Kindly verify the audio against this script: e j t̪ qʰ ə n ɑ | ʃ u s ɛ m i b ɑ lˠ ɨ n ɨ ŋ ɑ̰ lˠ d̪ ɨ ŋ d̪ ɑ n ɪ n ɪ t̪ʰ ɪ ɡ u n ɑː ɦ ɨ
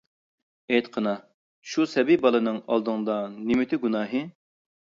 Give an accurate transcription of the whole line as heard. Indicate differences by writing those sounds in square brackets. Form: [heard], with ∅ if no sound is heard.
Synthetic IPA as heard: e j t̪ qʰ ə n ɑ | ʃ u s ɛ [b] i b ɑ lˠ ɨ n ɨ ŋ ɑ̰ lˠ d̪ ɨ ŋ d̪ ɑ n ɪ [m] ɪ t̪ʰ ɪ ɡ u n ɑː ɦ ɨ